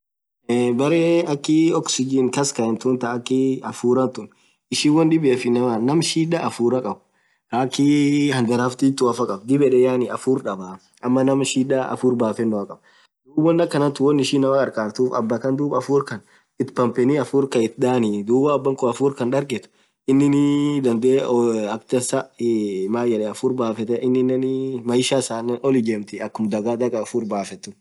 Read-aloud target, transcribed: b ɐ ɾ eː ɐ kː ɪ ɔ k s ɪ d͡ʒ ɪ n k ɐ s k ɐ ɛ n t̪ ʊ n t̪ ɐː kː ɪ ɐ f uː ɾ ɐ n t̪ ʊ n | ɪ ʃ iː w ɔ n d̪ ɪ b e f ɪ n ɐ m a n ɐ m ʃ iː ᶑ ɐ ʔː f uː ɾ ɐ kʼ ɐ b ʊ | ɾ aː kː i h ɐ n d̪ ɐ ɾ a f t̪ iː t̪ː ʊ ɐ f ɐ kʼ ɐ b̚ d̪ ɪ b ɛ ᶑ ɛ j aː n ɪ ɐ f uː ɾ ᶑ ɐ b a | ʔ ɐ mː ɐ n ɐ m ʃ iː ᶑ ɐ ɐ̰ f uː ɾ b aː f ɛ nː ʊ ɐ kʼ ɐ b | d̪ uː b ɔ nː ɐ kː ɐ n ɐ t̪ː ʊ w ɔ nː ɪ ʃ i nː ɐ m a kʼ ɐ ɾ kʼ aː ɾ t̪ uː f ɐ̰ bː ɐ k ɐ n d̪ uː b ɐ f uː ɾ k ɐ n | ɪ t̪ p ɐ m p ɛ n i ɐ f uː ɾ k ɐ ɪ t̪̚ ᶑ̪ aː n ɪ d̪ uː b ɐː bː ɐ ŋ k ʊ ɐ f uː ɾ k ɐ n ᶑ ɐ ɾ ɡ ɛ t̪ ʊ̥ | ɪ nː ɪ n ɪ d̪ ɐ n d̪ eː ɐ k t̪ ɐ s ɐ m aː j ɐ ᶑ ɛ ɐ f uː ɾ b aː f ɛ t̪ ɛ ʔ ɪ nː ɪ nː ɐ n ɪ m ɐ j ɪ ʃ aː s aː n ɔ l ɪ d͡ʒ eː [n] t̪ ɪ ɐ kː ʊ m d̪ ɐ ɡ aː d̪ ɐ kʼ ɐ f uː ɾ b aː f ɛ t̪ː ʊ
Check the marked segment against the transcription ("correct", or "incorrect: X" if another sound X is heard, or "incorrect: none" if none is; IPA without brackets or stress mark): incorrect: m